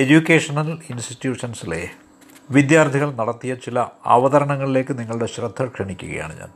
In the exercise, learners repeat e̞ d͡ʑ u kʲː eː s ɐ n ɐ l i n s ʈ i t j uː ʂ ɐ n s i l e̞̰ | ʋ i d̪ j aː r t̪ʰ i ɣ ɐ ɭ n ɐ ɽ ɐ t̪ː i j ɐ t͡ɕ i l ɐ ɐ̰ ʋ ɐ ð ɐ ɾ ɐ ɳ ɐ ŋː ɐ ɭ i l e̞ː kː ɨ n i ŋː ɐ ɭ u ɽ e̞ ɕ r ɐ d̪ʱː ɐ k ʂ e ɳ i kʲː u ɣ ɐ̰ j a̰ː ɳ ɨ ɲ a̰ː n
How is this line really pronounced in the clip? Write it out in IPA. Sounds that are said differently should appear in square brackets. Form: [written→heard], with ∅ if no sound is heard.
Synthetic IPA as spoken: e̞ d͡ʑ u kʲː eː [s→ʂ] ɐ n ɐ l i n s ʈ i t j uː ʂ ɐ n s i l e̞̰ | ʋ i d̪ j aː r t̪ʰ i ɣ ɐ ɭ n ɐ ɽ ɐ t̪ː i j ɐ t͡ɕ i l ɐ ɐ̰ ʋ ɐ ð ɐ ɾ ɐ ɳ ɐ ŋː ɐ ɭ i l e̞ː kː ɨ n i ŋː ɐ ɭ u ɽ e̞ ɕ r ɐ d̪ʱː ɐ k ʂ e ɳ i kʲː u ɣ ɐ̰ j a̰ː ɳ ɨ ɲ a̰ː n